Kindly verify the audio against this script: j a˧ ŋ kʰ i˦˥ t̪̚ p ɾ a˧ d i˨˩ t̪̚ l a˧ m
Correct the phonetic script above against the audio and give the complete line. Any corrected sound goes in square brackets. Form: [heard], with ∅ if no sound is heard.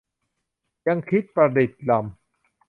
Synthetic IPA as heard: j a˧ ŋ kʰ i˦˥ t̪̚ p ɾ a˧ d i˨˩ t̪̚ l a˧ m